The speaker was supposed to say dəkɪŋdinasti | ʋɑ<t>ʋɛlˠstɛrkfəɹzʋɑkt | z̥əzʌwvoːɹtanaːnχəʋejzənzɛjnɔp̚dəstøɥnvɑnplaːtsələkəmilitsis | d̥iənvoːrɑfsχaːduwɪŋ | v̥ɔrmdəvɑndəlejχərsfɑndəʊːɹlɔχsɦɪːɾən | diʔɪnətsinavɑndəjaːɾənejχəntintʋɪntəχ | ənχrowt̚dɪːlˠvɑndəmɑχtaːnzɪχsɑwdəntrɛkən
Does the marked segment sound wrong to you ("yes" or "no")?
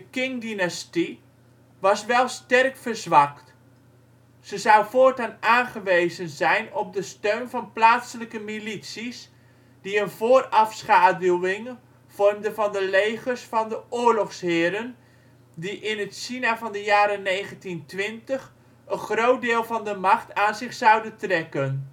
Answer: yes